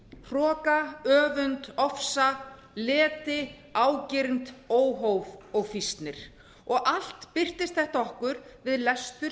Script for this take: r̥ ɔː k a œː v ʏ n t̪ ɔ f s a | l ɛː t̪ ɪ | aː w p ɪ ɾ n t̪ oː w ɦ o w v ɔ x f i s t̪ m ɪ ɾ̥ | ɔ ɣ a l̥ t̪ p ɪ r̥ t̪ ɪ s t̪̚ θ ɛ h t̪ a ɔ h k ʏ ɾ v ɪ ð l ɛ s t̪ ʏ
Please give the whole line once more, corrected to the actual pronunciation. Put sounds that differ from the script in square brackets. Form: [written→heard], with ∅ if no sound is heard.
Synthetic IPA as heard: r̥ ɔː k a œː v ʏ n t̪ ɔ f s a | l ɛː t̪ ɪ | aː w [p→c] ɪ ɾ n t̪ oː w ɦ o w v ɔ [x→ɣ] f i s t̪ [m→n] ɪ ɾ̥ | ɔ ɣ a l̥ t̪ p ɪ r̥ t̪ ɪ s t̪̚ θ ɛ h t̪ a ɔ h k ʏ ɾ v ɪ ð l ɛ s t̪ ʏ